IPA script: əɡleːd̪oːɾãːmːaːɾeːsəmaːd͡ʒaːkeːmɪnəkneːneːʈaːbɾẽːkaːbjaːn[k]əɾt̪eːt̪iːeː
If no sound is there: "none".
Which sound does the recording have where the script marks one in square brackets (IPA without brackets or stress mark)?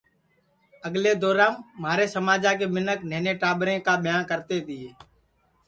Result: k